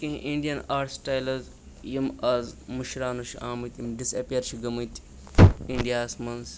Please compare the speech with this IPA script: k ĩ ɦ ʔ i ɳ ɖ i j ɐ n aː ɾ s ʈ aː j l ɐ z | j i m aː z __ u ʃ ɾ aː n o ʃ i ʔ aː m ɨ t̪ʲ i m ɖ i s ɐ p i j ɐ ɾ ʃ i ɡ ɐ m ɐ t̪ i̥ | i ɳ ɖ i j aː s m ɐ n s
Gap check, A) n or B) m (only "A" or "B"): B